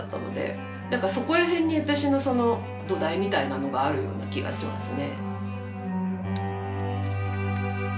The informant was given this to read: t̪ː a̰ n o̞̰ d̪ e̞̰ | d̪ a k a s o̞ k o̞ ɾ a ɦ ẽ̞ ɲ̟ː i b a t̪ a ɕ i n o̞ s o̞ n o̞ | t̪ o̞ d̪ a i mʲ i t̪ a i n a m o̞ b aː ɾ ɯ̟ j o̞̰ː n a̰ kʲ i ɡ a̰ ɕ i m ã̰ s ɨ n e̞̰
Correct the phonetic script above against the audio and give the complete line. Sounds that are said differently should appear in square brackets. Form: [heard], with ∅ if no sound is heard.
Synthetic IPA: t̪ː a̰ n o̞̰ d̪ e̞̰ | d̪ a k a s o̞ k o̞ ɾ a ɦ ẽ̞ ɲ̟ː i [β] a t̪ a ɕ i n o̞ s o̞ n o̞ | [d̪] o̞ d̪ a i mʲ i t̪ a i n a [n] o̞ [ɡ] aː ɾ ɯ̟ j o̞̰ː n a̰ kʲ i ɡ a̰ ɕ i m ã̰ s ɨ n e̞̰